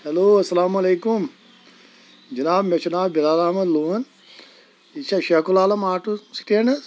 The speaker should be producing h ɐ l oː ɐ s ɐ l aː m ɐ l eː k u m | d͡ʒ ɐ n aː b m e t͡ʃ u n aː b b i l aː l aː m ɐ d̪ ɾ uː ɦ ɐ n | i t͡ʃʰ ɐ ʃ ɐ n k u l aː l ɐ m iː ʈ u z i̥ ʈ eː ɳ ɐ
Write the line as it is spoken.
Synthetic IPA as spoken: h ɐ l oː ɐ s ɐ l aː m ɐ l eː k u m | d͡ʒ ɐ n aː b m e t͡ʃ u n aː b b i l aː l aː m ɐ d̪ l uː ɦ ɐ n | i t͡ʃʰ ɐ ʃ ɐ k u l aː l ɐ m aː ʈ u s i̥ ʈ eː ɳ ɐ